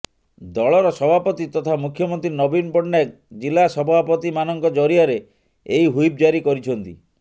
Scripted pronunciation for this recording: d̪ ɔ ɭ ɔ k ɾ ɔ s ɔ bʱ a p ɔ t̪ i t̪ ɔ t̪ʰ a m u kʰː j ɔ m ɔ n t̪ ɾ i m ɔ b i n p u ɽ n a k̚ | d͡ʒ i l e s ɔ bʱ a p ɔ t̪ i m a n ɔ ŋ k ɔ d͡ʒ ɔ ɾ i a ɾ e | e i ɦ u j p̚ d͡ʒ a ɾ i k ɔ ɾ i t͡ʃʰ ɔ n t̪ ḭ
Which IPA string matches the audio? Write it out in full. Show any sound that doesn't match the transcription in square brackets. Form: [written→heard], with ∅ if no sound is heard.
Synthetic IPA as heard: d̪ ɔ ɭ ɔ [k→∅] ɾ ɔ s ɔ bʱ a p ɔ t̪ i t̪ ɔ t̪ʰ a m u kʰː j ɔ m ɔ n t̪ ɾ i [m→n] ɔ b i n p [u→ɔ] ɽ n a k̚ | d͡ʒ i l [e→a] s ɔ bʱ a p ɔ t̪ i m a n ɔ ŋ k ɔ d͡ʒ ɔ ɾ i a ɾ e | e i ɦ u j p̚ d͡ʒ a ɾ i k ɔ ɾ i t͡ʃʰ ɔ n t̪ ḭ